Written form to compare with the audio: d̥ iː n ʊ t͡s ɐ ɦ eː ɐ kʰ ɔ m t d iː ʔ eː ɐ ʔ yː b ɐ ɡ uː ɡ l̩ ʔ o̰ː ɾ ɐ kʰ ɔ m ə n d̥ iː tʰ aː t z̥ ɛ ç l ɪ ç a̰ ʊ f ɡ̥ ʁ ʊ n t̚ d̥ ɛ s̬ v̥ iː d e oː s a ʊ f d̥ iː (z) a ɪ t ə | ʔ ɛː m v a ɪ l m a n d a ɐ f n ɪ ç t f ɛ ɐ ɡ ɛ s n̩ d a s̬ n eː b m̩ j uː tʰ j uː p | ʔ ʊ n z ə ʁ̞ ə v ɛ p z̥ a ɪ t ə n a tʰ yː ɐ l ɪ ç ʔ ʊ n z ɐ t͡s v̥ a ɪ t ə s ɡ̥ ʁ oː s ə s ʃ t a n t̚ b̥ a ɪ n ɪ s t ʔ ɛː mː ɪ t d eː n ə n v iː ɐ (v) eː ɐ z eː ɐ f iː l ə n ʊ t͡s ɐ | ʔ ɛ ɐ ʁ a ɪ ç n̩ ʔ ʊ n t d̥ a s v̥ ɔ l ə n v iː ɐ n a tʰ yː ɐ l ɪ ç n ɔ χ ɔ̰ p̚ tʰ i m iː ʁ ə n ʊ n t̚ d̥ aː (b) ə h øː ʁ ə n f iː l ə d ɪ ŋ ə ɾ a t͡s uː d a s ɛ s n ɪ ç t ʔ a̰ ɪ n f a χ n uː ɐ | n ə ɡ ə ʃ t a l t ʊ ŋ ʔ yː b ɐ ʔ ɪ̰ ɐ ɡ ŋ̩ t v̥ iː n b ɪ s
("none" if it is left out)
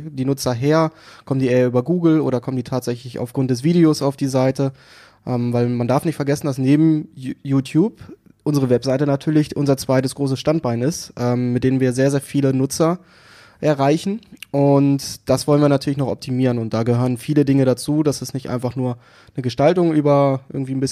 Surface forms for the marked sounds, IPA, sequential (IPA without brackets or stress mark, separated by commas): z, z, ɡ